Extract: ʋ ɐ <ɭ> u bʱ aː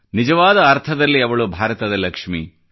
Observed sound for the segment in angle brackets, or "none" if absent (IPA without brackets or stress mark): ɭ